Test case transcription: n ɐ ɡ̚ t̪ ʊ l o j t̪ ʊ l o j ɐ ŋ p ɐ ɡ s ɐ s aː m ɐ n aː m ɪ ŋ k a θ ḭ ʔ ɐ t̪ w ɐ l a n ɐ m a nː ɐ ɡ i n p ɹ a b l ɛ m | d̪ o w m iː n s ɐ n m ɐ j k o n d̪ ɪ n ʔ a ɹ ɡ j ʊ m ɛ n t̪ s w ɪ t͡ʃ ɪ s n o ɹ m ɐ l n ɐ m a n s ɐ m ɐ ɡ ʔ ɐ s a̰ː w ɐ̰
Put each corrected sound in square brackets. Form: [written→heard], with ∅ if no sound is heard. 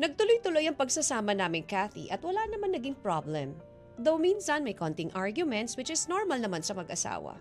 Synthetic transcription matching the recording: n ɐ ɡ̚ t̪ ʊ l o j t̪ ʊ l o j ɐ ŋ p ɐ ɡ s ɐ s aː m ɐ n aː m ɪ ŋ k a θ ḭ ʔ ɐ t̪ w ɐ l a n ɐ m a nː ɐ ɡ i [n→ŋ] p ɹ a b l ɛ m | d̪ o w m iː n s ɐ n m ɐ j k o n [d̪→t̪] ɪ [n→ŋ] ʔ a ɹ ɡ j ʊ m ɛ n t̪ s w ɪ t͡ʃ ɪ s n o ɹ m ɐ l n ɐ m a n s ɐ m ɐ ɡ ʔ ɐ s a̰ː w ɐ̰